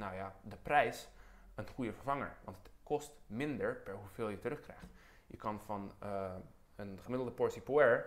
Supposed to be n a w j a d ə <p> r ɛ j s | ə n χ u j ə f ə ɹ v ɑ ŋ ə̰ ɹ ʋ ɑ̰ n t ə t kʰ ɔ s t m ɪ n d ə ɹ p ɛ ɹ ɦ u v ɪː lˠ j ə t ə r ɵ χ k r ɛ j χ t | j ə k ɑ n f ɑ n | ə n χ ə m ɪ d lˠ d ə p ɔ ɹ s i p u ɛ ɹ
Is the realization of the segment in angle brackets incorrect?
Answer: no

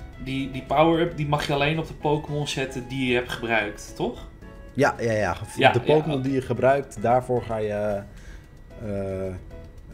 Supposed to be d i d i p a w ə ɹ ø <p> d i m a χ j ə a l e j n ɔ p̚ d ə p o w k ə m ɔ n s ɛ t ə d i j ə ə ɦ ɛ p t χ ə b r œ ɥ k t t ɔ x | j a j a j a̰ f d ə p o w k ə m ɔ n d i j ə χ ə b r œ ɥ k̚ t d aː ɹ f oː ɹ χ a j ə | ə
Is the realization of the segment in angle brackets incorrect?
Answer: no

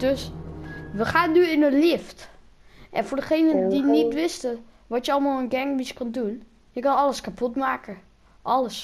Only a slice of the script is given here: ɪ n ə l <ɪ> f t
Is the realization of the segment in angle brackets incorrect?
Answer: no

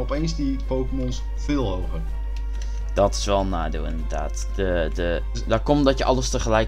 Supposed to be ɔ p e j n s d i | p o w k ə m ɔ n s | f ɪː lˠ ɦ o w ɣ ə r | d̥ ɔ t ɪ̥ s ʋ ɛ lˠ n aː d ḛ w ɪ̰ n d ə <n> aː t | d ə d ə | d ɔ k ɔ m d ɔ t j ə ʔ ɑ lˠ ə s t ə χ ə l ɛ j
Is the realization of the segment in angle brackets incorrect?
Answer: yes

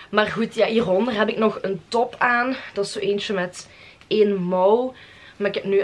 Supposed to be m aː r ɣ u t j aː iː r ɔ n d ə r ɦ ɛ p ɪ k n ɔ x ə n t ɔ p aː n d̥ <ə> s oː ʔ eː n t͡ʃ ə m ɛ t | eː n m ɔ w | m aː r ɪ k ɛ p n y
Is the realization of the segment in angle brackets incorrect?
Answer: yes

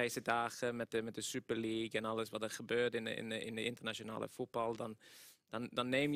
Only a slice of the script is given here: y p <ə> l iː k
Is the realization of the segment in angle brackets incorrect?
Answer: no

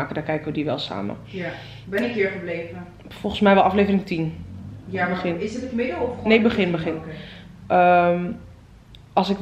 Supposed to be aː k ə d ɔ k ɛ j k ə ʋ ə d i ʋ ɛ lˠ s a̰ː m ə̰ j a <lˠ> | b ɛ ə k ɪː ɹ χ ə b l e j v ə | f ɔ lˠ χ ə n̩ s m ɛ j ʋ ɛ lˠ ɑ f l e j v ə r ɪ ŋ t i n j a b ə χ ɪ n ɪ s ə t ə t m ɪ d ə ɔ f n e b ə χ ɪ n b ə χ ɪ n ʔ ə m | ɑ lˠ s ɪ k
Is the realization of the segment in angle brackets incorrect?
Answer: yes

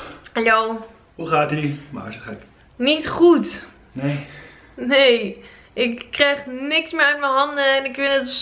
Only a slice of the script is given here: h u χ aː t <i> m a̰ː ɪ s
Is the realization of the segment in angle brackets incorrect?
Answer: no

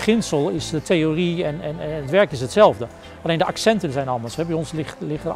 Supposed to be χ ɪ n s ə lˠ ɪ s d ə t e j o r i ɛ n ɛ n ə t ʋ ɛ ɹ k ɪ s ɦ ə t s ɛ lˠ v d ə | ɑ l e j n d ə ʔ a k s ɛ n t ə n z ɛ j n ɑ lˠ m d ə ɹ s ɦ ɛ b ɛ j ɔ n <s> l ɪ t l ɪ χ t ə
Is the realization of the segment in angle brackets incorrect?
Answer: no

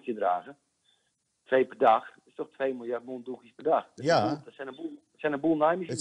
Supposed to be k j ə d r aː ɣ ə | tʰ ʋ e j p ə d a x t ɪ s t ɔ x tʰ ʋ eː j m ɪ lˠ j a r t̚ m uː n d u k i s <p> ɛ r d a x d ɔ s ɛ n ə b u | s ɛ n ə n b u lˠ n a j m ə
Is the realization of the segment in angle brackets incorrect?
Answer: no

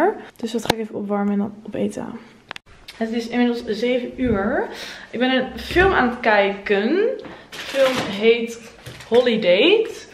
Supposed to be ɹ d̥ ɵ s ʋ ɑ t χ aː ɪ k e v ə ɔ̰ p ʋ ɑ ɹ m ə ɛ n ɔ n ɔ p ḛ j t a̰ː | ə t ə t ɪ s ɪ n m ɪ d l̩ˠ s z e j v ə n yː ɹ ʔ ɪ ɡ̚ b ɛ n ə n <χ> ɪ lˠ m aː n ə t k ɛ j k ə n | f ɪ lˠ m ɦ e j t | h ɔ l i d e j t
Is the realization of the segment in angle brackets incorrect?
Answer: yes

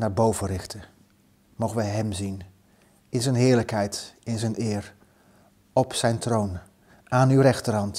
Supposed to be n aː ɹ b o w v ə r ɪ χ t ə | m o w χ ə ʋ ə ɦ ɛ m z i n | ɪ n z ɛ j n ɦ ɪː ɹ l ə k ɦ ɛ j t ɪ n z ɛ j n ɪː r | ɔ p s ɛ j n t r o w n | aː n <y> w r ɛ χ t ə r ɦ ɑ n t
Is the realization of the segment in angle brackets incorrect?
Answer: no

